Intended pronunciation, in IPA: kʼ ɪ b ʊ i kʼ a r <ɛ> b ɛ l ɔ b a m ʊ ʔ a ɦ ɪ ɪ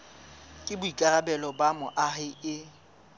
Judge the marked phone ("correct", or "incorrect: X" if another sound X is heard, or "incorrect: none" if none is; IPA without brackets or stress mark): incorrect: a